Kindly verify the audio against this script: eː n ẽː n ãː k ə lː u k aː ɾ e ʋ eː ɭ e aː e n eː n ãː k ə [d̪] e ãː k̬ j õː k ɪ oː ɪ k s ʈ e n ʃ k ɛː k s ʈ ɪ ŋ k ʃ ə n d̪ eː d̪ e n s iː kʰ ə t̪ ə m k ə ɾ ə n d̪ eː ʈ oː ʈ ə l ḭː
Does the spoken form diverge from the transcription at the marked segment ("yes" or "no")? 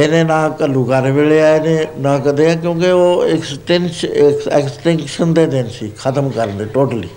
no